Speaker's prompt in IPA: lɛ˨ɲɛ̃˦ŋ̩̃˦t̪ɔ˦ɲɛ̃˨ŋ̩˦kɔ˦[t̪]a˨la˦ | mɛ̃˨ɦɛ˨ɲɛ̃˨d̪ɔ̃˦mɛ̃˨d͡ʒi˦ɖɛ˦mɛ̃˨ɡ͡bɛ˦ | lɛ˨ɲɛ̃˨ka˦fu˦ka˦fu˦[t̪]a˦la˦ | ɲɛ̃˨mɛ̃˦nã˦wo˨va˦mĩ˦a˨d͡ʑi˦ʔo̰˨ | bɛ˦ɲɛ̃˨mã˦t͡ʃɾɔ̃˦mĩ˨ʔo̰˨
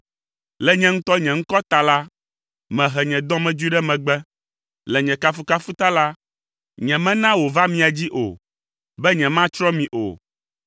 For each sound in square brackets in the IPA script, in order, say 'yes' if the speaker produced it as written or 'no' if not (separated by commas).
yes, yes